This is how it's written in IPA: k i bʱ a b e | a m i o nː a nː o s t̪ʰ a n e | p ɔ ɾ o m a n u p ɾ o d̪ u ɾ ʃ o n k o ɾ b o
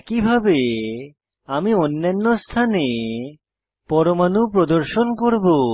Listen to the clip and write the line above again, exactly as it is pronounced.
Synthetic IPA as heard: k i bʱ a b e | a m i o nː a nː o s t̪ʰ a n e | p ɔ ɾ o m a n u p ɾ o d̪ o ɾ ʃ o n k o ɾ b o